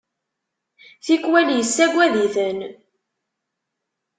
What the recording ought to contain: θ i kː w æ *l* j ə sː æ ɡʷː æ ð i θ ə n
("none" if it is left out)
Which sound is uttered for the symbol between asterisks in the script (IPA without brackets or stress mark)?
l